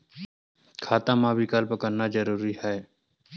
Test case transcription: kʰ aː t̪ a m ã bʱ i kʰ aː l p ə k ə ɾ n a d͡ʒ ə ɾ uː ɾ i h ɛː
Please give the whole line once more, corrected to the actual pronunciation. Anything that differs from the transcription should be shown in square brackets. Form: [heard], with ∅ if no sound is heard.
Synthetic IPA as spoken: kʰ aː t̪ a m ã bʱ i [k] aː l p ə k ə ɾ n a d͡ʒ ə ɾ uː ɾ i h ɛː